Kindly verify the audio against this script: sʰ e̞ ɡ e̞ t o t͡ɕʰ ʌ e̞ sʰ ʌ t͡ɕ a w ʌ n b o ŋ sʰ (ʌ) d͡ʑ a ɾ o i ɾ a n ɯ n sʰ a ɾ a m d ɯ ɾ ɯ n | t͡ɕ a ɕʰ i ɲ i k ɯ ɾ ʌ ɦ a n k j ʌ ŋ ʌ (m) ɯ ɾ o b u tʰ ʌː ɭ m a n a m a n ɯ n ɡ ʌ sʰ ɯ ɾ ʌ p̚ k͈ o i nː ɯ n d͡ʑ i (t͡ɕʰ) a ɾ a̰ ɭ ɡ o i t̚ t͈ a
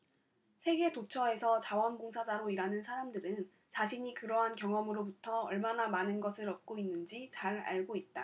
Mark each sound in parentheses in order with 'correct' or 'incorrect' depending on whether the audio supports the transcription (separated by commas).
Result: incorrect, correct, incorrect